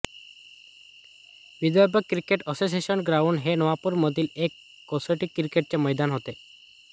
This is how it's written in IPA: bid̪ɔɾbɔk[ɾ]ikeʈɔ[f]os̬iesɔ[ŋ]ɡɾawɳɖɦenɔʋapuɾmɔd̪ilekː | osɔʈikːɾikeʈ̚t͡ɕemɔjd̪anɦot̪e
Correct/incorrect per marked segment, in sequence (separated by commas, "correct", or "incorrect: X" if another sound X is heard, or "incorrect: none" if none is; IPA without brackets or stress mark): correct, incorrect: s, incorrect: n